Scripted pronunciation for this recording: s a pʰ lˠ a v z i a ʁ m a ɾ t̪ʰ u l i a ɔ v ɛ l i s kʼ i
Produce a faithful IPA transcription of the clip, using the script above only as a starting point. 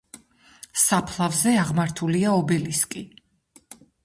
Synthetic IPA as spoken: s a pʰ lˠ a v z ɛ a ʁ m a ɾ t̪ʰ u l i a ɔ b ɛ l i s kʼ i